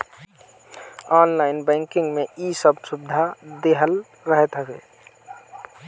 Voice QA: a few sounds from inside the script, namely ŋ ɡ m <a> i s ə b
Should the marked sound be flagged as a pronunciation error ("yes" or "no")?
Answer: yes